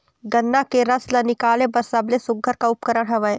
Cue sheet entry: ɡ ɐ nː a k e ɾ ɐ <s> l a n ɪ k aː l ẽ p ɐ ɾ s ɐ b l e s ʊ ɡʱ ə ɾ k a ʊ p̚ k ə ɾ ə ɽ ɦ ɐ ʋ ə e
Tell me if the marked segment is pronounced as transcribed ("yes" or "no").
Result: yes